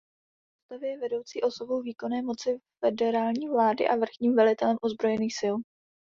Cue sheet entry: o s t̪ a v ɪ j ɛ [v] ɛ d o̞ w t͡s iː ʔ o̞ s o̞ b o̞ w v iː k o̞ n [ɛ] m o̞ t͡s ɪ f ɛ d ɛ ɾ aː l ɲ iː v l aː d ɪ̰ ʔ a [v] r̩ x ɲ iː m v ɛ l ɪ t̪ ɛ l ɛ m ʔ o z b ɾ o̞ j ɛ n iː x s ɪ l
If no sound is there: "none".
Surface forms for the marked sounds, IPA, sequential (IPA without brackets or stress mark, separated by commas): v, ɛː, v